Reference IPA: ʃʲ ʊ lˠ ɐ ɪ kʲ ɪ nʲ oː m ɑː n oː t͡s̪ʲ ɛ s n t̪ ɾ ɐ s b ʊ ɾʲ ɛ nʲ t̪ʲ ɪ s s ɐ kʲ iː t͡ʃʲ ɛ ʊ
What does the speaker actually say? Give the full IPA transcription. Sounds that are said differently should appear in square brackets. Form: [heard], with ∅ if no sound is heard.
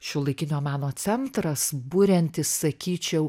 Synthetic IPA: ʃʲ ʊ lˠ ɐ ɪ kʲ ɪ nʲ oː m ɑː n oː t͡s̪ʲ ɛ [∅] n t̪ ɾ ɐ s b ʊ ɾʲ ɛ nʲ t̪ʲ ɪ s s ɐ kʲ iː t͡ʃʲ ɛ ʊ

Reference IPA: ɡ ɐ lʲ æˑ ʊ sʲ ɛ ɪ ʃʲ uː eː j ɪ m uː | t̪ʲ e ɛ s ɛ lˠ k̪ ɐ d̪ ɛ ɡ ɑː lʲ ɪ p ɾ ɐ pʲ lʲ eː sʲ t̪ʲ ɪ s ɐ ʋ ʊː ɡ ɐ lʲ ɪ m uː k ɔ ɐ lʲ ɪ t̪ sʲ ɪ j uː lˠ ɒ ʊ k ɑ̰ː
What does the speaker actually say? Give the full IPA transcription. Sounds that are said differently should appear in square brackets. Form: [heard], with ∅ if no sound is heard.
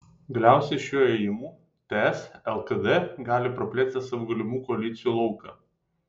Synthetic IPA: ɡ ɐ lʲ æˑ ʊ sʲ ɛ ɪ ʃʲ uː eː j ɪ m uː | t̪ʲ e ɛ s ɛ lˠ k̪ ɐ d̪ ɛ ɡ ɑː lʲ ɪ p ɾ ɐ pʲ lʲ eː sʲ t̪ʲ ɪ s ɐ ʋ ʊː ɡ ɐ lʲ ɪ m uː k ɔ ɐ lʲ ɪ t̪ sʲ ɪ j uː lˠ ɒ ʊ k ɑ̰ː

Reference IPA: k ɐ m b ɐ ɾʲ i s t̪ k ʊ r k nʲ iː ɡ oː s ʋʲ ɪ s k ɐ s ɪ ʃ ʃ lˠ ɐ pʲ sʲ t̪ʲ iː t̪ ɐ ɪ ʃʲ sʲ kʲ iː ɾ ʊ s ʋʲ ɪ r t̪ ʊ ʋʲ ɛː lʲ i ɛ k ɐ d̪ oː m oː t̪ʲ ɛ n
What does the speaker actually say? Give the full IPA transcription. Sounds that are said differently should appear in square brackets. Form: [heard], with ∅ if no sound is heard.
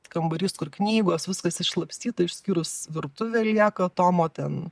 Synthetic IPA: k ɐ m b ɐ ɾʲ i s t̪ k ʊ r k nʲ iː ɡ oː s ʋʲ ɪ s k ɐ s ɪ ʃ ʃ lˠ ɐ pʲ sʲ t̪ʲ iː t̪ ɐ ɪ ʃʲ sʲ kʲ iː ɾ ʊ s ʋʲ ɪ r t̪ ʊ ʋʲ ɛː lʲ i ɛ k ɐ [t̪] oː m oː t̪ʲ ɛ n

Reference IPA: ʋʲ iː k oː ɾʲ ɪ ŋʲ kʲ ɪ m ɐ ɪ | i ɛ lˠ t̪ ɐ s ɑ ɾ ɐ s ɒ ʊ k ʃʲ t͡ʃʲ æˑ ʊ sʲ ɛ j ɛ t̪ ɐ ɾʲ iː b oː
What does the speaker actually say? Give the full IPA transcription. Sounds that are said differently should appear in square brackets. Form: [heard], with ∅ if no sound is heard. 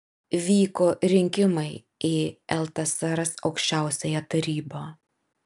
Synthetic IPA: ʋʲ iː k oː ɾʲ ɪ ŋʲ kʲ ɪ m ɐ ɪ | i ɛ lˠ t̪ ɐ s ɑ ɾ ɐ s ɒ ʊ k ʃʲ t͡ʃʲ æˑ ʊ sʲ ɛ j ɛ t̪ ɐ ɾʲ iː b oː

